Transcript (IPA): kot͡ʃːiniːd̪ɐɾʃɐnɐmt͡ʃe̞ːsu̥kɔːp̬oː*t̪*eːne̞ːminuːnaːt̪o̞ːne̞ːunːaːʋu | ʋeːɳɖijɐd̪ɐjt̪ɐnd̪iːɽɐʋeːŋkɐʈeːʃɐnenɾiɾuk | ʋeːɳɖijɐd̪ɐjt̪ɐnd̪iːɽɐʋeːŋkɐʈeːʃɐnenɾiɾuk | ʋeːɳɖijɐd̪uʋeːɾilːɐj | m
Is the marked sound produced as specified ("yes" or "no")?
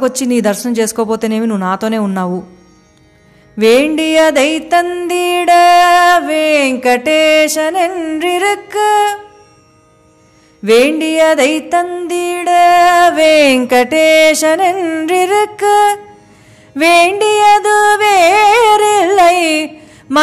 yes